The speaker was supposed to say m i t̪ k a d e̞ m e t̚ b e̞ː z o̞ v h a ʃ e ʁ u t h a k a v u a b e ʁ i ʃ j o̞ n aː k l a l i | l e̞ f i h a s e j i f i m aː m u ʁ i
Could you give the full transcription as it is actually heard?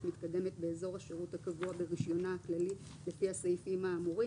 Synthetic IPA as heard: m i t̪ k a d e̞ m e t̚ b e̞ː z o̞ ʁ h a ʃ e ʁ u t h a k a v u a b e ʁ i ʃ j o̞ n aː k l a l i | l e̞ f i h a s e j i f i m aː m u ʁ i